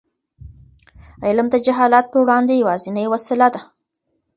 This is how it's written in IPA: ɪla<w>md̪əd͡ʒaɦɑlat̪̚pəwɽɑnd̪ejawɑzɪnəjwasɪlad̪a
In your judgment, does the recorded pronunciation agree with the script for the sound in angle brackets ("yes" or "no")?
no